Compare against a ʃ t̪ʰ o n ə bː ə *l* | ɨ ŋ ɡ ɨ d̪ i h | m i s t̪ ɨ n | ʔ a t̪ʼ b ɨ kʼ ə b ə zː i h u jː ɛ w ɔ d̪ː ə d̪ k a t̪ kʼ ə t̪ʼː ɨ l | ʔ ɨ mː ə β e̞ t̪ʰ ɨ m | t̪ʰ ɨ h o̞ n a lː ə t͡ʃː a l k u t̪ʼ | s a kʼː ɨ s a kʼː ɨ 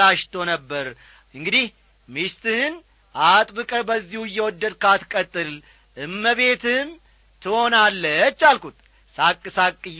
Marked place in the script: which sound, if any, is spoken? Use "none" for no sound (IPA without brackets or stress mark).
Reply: ɾ